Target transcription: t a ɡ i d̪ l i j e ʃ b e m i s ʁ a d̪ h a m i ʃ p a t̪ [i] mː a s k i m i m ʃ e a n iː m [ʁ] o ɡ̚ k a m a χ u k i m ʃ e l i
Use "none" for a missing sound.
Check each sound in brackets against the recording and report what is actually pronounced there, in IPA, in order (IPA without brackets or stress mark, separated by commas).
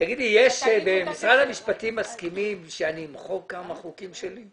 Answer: i, χ